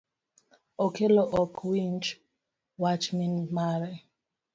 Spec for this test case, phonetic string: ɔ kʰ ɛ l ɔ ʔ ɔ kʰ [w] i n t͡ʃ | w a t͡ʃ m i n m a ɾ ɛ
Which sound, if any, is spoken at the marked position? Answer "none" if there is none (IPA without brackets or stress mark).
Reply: w